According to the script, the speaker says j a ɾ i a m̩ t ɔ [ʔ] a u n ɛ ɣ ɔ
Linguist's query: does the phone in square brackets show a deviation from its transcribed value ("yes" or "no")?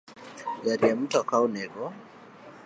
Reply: yes